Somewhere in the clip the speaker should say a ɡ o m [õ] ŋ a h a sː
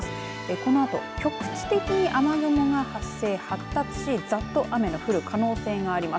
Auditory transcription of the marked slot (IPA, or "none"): o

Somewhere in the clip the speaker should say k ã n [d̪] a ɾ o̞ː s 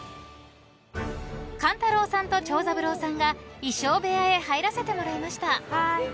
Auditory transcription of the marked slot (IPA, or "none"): t̪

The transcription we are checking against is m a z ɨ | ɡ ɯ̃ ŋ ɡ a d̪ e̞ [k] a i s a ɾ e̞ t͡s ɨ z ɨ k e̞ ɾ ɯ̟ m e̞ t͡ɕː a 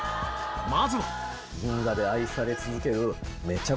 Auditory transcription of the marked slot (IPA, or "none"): none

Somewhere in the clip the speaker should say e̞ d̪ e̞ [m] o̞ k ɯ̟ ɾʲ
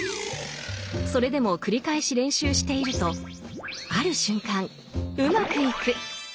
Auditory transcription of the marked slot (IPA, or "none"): m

